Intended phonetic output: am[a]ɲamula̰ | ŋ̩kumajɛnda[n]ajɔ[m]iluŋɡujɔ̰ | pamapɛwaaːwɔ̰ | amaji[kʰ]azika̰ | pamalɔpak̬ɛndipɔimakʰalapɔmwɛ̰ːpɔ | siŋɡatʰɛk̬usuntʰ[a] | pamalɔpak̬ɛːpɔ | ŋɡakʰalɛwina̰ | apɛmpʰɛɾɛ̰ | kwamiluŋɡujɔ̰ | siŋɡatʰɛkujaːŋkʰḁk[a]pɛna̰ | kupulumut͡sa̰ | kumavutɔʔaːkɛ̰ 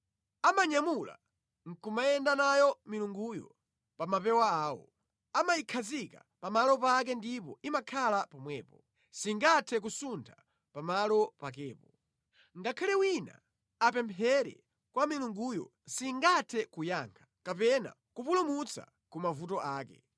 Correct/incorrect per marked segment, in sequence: correct, correct, correct, correct, correct, correct

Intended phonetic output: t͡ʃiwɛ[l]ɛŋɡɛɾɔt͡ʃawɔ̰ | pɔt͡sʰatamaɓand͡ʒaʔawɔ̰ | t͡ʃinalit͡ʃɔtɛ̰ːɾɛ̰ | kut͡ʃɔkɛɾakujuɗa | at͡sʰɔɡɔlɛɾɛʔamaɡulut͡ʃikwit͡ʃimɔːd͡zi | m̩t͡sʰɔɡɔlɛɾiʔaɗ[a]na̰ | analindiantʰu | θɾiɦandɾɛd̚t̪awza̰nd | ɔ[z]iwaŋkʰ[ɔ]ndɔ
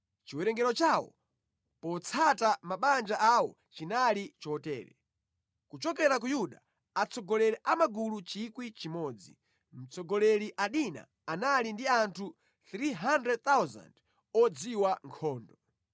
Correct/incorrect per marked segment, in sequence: incorrect, incorrect, incorrect, incorrect

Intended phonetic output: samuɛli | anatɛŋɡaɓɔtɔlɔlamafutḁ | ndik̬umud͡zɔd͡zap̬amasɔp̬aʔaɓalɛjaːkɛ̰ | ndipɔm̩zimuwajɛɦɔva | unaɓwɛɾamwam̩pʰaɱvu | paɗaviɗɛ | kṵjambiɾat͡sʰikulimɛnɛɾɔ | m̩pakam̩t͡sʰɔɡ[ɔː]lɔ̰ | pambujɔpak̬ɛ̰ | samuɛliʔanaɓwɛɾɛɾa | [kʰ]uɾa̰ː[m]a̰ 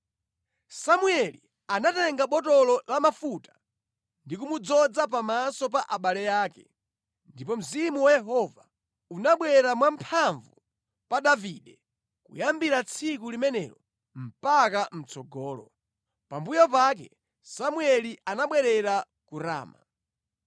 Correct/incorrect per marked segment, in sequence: correct, incorrect, correct

